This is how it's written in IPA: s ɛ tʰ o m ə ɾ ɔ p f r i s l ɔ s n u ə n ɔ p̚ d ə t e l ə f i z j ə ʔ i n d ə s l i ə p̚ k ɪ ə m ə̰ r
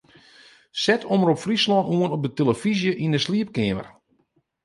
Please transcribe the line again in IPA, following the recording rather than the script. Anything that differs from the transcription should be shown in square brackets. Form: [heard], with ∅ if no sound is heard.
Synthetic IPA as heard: s ɛ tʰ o m ə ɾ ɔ p f r i s l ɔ [∅] n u ə n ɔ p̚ d ə t e l ə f i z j ə ʔ i n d ə s l i ə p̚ k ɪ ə m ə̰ r